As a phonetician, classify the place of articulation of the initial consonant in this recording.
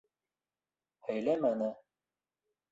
glottal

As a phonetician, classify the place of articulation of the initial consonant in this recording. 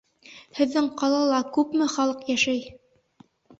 glottal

